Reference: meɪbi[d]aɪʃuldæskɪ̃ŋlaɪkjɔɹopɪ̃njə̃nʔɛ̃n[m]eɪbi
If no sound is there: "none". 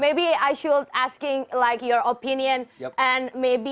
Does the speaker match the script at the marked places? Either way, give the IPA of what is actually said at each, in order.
none, m

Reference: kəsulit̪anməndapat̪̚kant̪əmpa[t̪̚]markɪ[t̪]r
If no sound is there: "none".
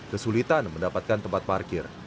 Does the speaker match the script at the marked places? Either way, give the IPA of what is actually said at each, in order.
t̪̚, none

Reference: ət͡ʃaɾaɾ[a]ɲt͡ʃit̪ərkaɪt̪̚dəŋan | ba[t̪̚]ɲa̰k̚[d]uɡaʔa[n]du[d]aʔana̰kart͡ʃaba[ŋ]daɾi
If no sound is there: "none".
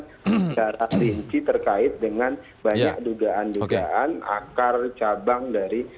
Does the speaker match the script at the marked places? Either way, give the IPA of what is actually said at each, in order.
i, none, d, n, ɡ, ŋ

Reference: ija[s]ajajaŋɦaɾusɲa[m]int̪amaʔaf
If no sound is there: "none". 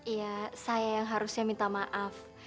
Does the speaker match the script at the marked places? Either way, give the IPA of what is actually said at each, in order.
s, m

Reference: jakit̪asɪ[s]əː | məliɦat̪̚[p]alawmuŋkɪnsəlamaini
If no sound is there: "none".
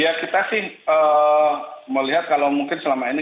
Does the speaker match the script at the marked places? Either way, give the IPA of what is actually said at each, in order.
h, k

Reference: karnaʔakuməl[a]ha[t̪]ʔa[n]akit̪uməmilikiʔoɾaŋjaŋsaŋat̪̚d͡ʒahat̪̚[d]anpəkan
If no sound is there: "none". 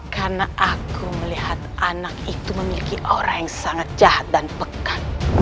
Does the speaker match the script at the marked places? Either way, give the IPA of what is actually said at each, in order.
i, t̪, n, d

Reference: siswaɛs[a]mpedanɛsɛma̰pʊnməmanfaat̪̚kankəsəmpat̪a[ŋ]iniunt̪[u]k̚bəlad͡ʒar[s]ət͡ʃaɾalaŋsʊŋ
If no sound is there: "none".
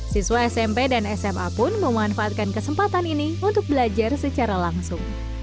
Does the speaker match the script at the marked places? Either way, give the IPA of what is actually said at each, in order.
ɛ, n, ʊ, s

